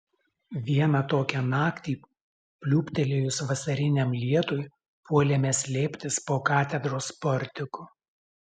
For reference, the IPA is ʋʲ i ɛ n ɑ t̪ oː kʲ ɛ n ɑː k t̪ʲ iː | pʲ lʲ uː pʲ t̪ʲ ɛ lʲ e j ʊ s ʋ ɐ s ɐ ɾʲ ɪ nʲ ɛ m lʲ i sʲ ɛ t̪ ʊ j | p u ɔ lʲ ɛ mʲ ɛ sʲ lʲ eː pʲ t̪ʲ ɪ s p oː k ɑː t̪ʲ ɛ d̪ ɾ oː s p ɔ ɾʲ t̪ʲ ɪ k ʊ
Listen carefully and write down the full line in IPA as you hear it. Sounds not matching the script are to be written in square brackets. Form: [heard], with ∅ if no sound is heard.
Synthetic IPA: ʋʲ i ɛ n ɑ t̪ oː kʲ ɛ n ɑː k t̪ʲ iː | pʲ lʲ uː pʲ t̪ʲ ɛ lʲ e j ʊ s ʋ ɐ s ɐ ɾʲ ɪ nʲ ɛ m lʲ i [∅] ɛ t̪ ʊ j | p u ɔ lʲ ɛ mʲ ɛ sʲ lʲ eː pʲ t̪ʲ ɪ s p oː k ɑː t̪ʲ ɛ d̪ ɾ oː s p ɔ ɾʲ t̪ʲ ɪ k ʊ

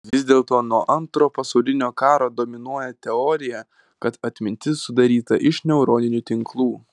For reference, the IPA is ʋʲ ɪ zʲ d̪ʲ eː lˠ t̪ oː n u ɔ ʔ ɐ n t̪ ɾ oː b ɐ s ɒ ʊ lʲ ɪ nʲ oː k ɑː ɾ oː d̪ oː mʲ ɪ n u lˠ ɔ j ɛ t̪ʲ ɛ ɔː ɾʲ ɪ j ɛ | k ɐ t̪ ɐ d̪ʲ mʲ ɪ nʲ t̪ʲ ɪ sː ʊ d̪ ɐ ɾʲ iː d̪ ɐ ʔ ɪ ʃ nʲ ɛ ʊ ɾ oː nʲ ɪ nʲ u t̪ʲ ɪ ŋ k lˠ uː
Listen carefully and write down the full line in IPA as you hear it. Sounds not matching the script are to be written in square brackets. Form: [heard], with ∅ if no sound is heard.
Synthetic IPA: ʋʲ ɪ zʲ d̪ʲ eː lˠ t̪ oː n u ɔ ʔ ɐ n t̪ ɾ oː [p] ɐ s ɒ ʊ lʲ ɪ nʲ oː k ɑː ɾ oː d̪ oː mʲ ɪ n u [∅] ɔ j ɛ t̪ʲ ɛ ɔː ɾʲ ɪ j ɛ | k ɐ t̪ ɐ [t̪ʲ] mʲ ɪ nʲ t̪ʲ ɪ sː ʊ d̪ ɐ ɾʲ iː [t̪] ɐ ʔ ɪ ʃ nʲ ɛ ʊ ɾ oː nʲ ɪ nʲ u t̪ʲ ɪ ŋ k lˠ uː

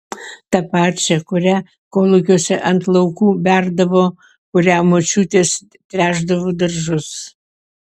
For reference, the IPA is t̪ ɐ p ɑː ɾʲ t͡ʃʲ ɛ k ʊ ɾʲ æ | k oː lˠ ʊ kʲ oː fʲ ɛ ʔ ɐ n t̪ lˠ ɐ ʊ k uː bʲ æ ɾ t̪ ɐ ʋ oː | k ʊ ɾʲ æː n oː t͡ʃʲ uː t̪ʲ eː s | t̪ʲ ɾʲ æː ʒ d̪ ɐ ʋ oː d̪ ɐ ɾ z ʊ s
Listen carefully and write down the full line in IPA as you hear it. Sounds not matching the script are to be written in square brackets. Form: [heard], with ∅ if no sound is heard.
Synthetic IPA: t̪ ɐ p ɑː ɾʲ t͡ʃʲ ɛ k ʊ ɾʲ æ | k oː lˠ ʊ kʲ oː [sʲ] ɛ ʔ ɐ n t̪ lˠ ɐ ʊ k uː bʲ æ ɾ [d̪] ɐ ʋ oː | k ʊ ɾʲ æː [m] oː t͡ʃʲ uː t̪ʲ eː s | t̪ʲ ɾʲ æː ʒ d̪ ɐ ʋ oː d̪ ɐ ɾ [ʒ] ʊ s

